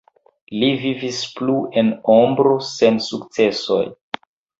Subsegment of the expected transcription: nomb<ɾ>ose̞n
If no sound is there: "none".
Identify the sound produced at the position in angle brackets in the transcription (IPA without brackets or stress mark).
ɾ